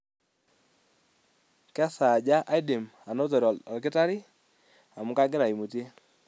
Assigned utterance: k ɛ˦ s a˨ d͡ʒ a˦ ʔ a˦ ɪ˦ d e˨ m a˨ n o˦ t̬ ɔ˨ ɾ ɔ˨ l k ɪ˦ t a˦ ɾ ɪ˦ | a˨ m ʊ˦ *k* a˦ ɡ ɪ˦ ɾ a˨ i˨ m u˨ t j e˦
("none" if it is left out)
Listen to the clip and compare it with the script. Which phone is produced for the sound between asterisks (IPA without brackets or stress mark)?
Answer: k